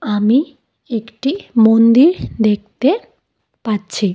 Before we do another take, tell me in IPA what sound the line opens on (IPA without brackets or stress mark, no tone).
a